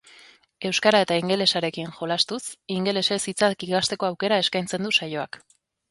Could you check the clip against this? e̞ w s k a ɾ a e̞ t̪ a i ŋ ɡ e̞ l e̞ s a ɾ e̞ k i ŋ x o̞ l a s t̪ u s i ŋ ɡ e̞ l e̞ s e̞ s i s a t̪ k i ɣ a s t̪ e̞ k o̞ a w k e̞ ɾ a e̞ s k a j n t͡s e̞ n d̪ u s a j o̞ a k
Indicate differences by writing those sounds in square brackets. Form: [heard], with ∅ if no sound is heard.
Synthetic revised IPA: e̞ w s k a ɾ a e̞ t̪ a i ŋ ɡ e̞ l e̞ s a ɾ e̞ k i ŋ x o̞ l a s t̪ u s i ŋ ɡ e̞ l e̞ s e̞ s i [t͡s] a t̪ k i ɣ a s t̪ e̞ k o̞ a w k e̞ ɾ a e̞ s k a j n t͡s e̞ n d̪ u s a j o̞ a k